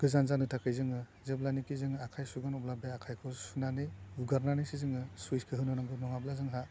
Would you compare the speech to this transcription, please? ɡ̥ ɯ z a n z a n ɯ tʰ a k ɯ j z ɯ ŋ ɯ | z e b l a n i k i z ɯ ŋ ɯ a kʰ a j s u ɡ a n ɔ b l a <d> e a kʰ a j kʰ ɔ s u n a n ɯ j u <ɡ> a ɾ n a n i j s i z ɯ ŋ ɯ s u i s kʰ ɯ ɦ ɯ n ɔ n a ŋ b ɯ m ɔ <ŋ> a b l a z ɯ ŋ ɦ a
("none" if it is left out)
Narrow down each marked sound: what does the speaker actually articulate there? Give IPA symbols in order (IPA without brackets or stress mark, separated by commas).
b, ɡ, ŋ